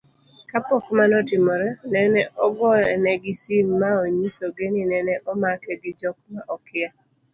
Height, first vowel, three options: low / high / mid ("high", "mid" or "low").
low